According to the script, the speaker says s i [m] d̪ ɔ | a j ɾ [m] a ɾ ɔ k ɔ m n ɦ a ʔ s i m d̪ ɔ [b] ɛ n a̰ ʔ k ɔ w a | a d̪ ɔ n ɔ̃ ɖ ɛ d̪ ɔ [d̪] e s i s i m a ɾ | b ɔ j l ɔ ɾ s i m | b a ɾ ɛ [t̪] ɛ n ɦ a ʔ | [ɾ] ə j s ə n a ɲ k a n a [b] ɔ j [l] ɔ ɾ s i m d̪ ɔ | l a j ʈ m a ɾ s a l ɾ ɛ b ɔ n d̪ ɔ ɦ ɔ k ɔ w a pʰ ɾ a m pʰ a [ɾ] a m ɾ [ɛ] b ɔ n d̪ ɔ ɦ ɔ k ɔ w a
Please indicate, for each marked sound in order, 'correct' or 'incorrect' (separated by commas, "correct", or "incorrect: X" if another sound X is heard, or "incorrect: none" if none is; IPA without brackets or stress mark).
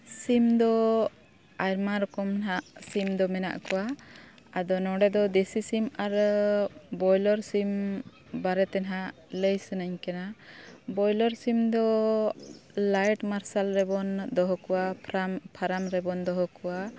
correct, correct, incorrect: m, correct, correct, incorrect: l, correct, correct, correct, correct